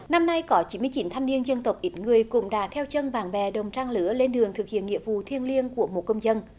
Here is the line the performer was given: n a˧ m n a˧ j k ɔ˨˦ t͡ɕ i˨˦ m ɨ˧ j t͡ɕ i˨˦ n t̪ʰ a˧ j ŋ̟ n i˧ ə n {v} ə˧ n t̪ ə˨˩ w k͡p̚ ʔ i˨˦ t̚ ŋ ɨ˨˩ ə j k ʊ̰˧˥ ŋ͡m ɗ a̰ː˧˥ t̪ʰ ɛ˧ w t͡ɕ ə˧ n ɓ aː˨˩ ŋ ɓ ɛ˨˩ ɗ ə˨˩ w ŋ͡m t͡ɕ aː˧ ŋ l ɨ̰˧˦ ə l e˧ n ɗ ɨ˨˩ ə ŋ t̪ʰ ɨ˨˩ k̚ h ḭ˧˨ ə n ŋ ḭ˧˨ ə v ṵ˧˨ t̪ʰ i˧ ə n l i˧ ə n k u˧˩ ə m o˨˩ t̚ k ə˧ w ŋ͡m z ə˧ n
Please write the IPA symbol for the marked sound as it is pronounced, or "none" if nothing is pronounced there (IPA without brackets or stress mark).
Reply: z